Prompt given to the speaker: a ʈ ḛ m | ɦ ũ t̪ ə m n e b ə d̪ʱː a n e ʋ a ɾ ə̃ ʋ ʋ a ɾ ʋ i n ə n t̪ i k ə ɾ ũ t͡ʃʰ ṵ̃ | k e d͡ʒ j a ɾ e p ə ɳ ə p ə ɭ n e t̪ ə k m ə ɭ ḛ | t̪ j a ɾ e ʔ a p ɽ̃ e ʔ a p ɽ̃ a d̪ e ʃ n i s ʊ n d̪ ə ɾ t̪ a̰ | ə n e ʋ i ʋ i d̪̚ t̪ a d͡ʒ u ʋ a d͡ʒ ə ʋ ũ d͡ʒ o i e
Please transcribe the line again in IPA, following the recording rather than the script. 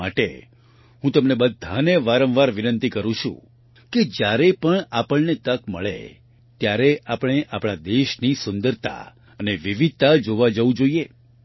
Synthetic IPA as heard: a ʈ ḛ | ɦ ũ t̪ ə m n e b ə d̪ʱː a n e ʋ a ɾ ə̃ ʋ ʋ a ɾ ʋ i n ə n t̪ i k ə ɾ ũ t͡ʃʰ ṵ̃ | k e d͡ʒ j a ɾ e p ə ɳ a p ə ɭ n e t̪ ə k m ə ɭ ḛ | t̪ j a ɾ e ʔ a p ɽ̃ e ʔ a p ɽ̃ a d̪ e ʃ n i s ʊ n d̪ ə ɾ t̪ a̰ | ə n e ʋ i ʋ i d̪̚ t̪ a d͡ʒ o ʋ a d͡ʒ ə ʋ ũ d͡ʒ o i e